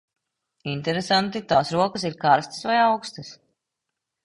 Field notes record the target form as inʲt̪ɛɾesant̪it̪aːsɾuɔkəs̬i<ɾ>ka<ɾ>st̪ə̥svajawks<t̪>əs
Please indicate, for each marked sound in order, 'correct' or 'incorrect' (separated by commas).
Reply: correct, correct, correct